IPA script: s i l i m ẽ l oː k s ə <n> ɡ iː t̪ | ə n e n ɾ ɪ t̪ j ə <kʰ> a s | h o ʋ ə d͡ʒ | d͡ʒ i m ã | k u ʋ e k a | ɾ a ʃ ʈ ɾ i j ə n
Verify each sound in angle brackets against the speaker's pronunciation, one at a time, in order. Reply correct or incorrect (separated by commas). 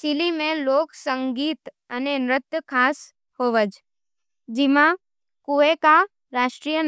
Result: incorrect, correct